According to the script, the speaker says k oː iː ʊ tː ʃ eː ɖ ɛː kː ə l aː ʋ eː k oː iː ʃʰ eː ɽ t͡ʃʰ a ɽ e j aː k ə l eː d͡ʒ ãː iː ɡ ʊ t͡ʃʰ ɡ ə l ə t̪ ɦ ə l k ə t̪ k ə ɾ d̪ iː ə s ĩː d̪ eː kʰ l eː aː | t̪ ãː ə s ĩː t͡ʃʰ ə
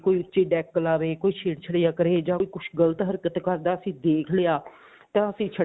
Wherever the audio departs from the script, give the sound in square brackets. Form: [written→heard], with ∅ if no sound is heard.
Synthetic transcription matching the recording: k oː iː ʊ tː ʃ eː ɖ ɛː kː ə l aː ʋ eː k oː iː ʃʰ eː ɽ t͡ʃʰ [a→ə] ɽ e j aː k ə [l→ɾ] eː d͡ʒ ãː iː [ɡ→k] ʊ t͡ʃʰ ɡ ə l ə t̪ ɦ ə [l→ɾ] k ə t̪ k ə ɾ d̪ [iː→aː] ə s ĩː d̪ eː kʰ l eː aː | t̪ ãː ə s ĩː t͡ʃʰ ə